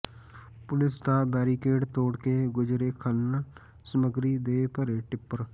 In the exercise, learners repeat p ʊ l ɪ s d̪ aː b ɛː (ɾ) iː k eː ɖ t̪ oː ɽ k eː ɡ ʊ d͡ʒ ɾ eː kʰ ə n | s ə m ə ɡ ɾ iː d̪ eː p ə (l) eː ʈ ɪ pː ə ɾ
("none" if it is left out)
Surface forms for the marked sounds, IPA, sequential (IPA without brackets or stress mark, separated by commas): ɾ, ɾ